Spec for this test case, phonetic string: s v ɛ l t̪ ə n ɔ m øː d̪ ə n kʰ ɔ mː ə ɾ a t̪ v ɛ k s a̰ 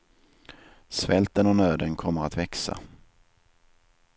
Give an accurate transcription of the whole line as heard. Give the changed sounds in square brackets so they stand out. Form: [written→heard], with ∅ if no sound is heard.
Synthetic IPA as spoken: s v ɛ l t̪ ə n ɔ [m→n] øː d̪ ə n kʰ ɔ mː ə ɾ a t̪ v ɛ k s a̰